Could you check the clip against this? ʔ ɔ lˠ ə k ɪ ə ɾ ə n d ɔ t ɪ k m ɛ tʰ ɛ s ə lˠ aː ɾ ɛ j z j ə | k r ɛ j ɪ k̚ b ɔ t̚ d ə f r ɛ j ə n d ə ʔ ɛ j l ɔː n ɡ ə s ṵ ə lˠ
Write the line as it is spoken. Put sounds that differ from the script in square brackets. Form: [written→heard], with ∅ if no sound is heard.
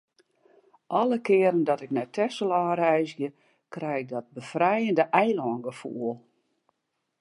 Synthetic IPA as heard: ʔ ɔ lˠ ə k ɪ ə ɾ ə n d ɔ t ɪ k [m→n] ɛ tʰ ɛ s ə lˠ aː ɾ ɛ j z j ə | k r ɛ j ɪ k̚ [b→d] ɔ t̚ [d→b] ə f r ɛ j ə n d ə ʔ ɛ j l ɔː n ɡ ə [s→f] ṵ ə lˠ